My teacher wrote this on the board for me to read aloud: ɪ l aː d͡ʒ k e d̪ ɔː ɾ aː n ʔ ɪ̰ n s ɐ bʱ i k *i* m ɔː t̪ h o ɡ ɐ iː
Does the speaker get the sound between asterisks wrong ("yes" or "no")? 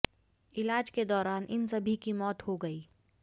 no